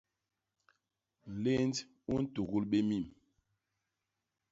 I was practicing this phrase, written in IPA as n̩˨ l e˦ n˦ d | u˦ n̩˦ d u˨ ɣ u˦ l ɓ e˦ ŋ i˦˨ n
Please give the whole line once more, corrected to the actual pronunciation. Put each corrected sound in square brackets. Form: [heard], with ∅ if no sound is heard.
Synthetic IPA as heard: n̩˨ l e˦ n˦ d | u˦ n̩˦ [t] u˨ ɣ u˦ l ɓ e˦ [m] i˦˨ [m]